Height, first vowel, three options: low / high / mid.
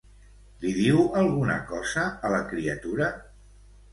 high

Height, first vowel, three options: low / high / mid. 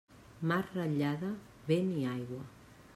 low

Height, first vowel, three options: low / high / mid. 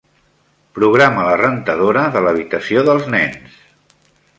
high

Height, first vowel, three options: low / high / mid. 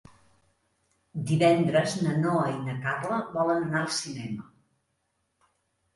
high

